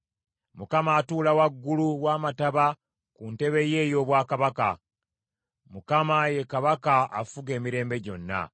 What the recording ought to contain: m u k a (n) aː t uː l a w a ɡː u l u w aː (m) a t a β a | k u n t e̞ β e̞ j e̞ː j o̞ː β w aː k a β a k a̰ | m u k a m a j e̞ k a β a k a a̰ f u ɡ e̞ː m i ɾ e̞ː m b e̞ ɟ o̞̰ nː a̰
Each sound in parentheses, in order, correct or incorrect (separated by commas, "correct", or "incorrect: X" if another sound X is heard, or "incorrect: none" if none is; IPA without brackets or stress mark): incorrect: m, correct